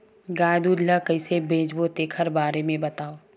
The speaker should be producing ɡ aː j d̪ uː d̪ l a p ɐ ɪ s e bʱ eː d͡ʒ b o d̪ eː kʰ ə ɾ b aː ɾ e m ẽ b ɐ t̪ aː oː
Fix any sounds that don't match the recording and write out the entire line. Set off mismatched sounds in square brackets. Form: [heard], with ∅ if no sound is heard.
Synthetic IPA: ɡ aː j d̪ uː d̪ l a [k] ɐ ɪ s e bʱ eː d͡ʒ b o [t̪] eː kʰ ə ɾ b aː ɾ e m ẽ b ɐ t̪ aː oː